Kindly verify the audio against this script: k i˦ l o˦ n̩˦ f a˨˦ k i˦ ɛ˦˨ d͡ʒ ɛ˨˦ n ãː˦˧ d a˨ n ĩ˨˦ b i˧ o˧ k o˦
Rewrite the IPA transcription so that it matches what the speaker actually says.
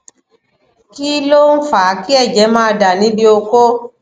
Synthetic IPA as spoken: k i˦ l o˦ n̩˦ f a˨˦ k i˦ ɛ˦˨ d͡ʒ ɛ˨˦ m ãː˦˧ d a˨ n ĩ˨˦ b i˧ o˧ k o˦